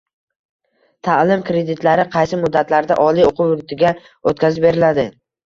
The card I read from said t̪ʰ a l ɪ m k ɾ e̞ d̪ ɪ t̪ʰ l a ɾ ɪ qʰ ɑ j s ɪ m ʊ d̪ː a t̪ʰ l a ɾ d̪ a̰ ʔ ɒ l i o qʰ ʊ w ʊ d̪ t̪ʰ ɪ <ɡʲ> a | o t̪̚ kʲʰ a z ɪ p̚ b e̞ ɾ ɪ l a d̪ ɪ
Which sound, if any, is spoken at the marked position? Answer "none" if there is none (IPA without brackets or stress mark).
ɡʲ